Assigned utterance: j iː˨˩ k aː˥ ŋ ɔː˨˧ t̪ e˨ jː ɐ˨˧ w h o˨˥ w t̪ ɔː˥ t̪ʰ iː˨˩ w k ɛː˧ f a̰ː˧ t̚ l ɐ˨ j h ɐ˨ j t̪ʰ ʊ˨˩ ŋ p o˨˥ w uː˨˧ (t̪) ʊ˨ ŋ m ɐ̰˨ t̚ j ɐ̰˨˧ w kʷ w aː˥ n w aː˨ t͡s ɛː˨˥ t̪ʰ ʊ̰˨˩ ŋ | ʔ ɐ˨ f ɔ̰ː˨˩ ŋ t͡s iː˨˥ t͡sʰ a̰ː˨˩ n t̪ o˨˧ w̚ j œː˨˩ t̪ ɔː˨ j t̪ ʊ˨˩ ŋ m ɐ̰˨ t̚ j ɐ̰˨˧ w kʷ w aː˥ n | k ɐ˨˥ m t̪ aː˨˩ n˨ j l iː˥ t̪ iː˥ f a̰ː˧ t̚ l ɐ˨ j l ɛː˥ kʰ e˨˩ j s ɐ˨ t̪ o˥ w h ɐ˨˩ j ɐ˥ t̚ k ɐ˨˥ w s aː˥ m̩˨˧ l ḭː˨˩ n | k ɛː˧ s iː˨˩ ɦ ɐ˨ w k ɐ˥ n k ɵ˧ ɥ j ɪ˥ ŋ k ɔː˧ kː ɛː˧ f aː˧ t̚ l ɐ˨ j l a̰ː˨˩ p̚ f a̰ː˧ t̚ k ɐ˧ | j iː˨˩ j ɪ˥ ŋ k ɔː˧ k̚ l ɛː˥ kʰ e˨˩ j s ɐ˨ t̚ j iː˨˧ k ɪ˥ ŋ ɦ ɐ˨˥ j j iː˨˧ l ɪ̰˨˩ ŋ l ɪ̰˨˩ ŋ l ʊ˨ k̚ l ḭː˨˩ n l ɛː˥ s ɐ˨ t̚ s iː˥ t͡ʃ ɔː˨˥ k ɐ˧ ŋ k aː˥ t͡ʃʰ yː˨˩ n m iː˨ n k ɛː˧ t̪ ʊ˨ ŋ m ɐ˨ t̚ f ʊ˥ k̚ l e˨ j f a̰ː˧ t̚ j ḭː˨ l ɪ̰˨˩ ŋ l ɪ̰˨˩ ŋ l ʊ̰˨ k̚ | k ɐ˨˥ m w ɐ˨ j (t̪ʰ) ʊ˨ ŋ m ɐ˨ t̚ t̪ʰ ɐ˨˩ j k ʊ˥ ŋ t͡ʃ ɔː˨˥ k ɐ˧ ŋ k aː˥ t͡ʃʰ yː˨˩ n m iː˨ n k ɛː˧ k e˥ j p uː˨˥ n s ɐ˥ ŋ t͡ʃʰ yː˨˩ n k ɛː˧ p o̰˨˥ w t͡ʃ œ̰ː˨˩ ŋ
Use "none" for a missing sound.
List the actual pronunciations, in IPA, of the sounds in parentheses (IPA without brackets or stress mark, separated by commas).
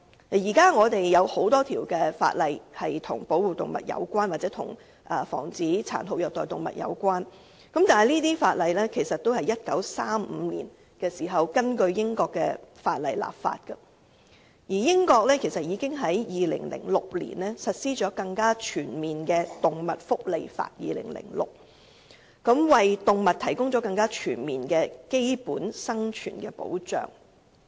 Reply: t̪, t̪